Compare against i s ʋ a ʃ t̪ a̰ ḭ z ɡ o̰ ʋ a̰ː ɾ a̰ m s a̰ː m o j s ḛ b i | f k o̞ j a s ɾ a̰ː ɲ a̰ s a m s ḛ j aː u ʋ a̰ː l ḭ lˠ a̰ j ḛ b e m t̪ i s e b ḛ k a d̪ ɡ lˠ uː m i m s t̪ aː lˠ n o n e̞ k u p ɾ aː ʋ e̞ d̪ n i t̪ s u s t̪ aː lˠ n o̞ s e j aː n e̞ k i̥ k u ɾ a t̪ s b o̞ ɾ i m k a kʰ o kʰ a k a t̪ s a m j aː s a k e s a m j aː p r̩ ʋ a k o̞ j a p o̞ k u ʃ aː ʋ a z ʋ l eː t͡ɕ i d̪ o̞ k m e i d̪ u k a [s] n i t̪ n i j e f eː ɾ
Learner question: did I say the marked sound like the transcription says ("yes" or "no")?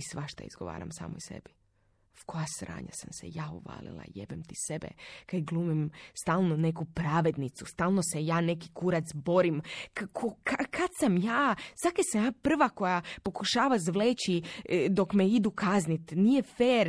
no